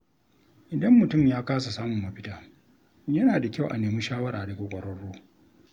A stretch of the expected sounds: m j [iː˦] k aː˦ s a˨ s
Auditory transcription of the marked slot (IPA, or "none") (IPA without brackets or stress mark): aː˦